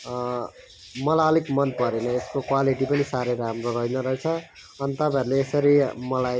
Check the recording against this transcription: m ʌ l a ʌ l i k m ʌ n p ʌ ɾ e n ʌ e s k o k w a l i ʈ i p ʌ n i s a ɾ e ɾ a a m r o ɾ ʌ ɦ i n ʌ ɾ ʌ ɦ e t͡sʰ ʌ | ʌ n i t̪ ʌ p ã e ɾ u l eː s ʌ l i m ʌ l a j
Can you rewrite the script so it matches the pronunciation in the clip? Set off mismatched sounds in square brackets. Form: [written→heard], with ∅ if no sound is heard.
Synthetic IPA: m ʌ l a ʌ l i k m ʌ n p ʌ ɾ e n ʌ e s k o k w a l i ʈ i p ʌ n i s a ɾ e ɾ a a m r o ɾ ʌ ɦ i n ʌ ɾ ʌ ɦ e t͡sʰ ʌ | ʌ n i t̪ ʌ p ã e ɾ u l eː s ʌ [l→ɾ] i m ʌ l a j